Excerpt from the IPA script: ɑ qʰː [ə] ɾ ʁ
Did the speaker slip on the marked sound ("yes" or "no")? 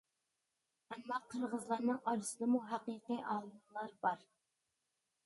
no